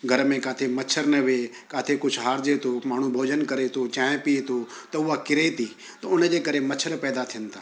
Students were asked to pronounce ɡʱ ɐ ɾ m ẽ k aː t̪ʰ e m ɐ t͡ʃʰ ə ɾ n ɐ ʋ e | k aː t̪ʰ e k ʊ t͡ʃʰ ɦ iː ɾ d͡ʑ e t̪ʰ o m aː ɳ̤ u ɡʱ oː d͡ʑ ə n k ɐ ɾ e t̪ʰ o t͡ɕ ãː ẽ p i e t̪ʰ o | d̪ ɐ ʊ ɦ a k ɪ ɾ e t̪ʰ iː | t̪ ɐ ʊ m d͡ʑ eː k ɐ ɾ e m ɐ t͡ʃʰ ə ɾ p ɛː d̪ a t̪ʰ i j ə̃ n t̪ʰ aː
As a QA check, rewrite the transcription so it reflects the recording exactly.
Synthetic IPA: ɡʱ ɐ ɾ m ẽ k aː t̪ʰ e m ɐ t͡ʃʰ ə ɾ n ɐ ʋ e | k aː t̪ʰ e k ʊ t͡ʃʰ ɦ aː ɾ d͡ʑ e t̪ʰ o m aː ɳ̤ u bʱ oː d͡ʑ ə n k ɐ ɾ e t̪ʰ o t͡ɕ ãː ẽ p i e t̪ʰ o | t̪ ɐ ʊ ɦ a k ɪ ɾ e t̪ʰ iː | t̪ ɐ ʊ n d͡ʑ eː k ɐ ɾ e m ɐ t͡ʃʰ ə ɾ p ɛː d̪ a t̪ʰ i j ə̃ n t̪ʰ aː